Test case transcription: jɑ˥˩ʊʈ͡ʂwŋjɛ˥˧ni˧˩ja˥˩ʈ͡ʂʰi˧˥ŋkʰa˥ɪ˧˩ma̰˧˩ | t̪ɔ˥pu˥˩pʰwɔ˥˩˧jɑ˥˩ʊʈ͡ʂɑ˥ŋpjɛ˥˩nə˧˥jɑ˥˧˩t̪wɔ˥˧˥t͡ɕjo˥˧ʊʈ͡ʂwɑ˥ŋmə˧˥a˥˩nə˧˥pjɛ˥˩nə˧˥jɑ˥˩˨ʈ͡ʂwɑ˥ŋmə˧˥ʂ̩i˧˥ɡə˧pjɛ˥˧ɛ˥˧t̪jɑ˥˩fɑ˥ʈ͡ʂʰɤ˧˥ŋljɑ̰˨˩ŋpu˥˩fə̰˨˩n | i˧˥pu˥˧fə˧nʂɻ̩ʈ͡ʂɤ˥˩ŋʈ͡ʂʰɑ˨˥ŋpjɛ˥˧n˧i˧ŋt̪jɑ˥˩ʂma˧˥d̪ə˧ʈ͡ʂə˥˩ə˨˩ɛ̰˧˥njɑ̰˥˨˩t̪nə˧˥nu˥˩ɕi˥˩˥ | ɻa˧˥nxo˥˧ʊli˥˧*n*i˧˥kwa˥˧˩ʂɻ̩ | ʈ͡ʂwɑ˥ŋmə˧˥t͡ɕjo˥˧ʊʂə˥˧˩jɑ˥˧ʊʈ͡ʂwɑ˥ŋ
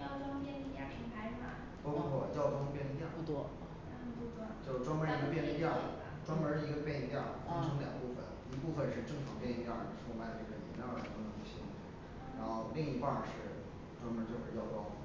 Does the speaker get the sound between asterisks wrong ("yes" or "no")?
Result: yes